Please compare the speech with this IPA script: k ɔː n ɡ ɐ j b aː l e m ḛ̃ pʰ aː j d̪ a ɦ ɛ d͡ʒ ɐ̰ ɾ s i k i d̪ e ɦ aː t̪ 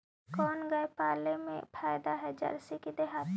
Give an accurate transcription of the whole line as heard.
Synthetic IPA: k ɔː n ɡ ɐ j p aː l e m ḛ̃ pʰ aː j d̪ a ɦ ɛ d͡ʒ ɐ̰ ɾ s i k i d̪ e ɦ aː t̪